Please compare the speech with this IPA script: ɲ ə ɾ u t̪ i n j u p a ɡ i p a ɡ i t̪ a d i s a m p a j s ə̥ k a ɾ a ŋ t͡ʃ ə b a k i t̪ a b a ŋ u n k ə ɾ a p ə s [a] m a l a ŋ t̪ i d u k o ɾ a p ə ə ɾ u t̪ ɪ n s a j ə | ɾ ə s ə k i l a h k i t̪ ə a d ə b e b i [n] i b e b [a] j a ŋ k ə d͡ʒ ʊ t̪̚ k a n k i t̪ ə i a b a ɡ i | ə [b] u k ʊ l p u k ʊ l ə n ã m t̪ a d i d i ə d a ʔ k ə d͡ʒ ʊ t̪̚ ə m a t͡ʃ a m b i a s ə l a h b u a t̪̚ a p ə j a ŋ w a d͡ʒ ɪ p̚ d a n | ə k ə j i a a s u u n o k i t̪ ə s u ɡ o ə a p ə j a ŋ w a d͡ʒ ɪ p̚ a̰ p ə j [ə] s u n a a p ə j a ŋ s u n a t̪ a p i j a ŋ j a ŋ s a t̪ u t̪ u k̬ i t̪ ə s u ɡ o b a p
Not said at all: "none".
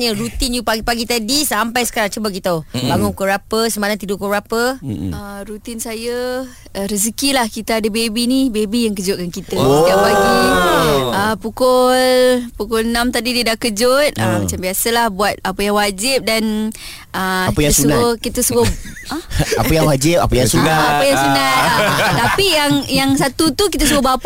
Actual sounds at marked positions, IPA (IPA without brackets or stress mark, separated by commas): ə, n, i, p, a